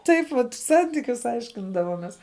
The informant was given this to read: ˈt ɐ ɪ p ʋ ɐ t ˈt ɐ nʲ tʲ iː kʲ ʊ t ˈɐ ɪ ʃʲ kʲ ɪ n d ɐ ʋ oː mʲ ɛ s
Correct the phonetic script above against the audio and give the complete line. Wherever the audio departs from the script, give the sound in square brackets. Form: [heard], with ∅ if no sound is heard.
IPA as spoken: ˈt ɐ ɪ p ʋ ɐ t [ˈs] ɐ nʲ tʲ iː kʲ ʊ [s] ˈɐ ɪ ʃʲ kʲ ɪ n d ɐ ʋ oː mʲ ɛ s